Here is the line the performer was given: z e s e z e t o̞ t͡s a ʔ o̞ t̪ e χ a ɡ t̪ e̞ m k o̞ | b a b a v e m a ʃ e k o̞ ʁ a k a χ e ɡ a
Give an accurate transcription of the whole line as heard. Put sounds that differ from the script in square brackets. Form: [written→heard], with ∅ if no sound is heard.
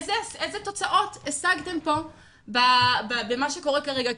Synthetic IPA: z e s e z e t o̞ t͡s a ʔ o̞ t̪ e [χ→s] a ɡ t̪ e̞ m [k→p] o̞ | b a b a [v→b] e m a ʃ e k o̞ ʁ [a→e] k a [χ→ʁ] e ɡ a